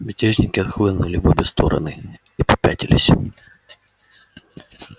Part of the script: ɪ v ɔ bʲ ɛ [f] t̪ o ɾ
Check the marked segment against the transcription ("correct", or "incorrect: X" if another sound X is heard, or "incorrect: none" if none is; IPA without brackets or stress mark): incorrect: s